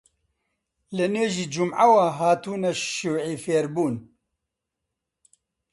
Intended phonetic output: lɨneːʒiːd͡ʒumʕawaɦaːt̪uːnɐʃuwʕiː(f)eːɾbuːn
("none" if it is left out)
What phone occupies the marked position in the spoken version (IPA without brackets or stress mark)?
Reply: f